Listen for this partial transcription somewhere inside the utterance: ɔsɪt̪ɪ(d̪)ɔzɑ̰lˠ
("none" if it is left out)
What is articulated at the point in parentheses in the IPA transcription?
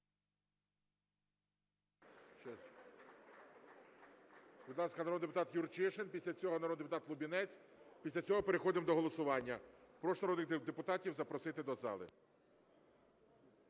d̪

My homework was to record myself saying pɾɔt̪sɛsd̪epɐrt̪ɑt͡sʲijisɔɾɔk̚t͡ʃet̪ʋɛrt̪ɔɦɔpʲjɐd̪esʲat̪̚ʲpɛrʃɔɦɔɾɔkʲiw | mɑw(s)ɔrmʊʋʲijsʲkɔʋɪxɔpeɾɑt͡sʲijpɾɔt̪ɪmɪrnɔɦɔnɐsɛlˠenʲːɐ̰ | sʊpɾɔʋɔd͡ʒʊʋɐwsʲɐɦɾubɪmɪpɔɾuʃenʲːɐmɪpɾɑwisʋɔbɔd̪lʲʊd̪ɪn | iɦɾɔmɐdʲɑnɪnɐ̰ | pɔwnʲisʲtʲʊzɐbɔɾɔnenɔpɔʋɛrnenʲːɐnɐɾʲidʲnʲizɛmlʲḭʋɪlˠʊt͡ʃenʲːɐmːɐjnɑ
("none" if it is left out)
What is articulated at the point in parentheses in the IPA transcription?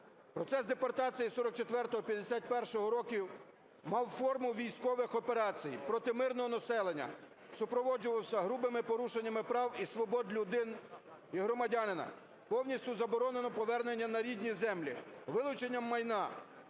f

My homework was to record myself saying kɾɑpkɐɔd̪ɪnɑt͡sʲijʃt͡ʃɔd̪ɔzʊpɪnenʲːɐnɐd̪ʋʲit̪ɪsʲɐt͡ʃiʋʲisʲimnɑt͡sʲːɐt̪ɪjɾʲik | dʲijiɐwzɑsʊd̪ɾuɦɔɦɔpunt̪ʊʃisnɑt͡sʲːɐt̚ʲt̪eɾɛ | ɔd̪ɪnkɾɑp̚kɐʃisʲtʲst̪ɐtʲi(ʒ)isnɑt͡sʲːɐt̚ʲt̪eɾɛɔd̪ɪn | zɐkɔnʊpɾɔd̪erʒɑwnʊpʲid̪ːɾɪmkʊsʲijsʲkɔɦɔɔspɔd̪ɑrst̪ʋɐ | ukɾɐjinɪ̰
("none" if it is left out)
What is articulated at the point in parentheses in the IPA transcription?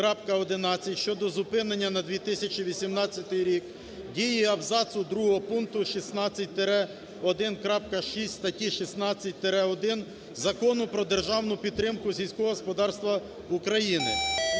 ʃ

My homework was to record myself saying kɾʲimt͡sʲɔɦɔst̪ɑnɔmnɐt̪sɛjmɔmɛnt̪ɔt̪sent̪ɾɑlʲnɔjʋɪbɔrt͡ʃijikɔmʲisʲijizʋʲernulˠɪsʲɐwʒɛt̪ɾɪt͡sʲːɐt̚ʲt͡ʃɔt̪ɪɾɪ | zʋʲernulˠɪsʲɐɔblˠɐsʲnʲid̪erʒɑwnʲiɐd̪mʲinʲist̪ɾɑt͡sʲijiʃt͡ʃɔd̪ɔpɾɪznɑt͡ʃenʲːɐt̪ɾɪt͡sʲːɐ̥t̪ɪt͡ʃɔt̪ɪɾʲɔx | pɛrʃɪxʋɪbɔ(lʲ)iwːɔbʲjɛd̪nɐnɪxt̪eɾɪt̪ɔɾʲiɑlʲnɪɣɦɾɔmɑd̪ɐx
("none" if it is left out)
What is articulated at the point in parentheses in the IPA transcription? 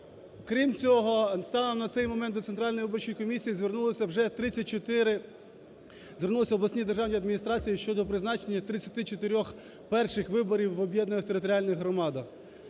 ɾʲ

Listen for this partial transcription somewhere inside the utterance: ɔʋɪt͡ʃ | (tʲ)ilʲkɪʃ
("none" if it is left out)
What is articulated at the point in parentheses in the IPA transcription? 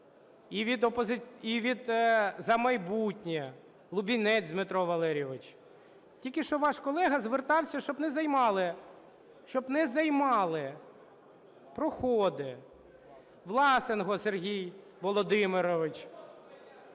tʲ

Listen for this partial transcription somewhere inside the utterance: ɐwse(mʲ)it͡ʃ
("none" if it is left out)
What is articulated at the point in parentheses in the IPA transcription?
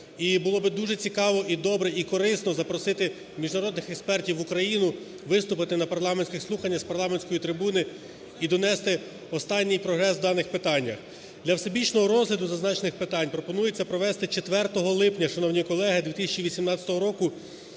bʲ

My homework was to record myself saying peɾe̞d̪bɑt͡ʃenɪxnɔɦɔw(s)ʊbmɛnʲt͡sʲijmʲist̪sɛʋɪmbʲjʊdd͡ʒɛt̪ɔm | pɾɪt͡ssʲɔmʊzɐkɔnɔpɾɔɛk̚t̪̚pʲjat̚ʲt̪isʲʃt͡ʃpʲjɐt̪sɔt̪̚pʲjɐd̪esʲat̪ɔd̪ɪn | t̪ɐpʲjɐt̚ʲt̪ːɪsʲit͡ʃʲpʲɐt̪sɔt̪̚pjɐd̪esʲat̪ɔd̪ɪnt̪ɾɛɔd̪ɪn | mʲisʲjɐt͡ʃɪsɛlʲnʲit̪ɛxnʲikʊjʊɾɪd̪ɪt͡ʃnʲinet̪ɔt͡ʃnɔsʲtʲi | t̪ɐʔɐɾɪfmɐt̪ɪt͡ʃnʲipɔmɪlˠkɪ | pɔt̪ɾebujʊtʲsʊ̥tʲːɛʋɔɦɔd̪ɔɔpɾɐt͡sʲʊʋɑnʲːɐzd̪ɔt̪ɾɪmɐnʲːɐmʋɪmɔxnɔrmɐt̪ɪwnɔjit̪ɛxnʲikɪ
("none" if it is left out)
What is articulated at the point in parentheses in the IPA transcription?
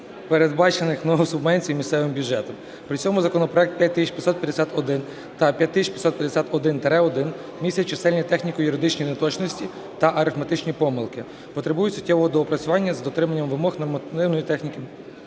s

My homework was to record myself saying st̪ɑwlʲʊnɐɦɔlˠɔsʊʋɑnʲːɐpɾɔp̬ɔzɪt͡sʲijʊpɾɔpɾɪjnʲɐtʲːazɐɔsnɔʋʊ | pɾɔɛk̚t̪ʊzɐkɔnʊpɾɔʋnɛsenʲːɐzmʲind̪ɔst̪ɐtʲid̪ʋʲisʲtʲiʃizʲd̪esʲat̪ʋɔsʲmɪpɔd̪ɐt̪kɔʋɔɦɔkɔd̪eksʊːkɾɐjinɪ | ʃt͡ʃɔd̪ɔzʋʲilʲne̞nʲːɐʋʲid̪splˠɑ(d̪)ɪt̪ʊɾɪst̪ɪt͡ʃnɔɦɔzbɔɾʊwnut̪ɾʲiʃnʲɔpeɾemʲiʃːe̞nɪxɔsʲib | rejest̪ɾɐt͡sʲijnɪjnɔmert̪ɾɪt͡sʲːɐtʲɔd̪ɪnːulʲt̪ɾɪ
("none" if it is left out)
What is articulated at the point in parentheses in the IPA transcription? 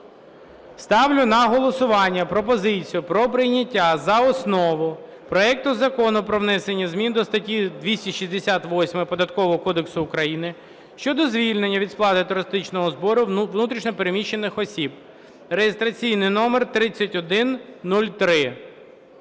t̪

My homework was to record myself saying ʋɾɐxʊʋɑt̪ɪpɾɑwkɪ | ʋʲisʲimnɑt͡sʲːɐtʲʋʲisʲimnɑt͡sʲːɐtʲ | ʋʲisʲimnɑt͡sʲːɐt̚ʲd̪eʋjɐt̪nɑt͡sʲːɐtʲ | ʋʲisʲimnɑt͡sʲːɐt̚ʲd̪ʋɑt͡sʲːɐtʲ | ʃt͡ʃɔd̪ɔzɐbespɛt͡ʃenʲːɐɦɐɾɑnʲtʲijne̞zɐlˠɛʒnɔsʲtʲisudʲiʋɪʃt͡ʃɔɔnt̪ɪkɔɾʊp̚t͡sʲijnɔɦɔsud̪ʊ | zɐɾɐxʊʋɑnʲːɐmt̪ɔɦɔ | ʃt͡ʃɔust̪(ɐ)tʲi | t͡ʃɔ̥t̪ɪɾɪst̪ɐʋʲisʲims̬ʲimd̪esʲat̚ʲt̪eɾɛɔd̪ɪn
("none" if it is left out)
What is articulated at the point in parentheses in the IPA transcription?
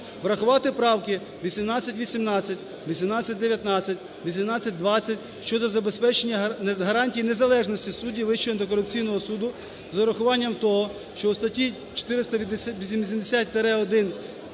ɐ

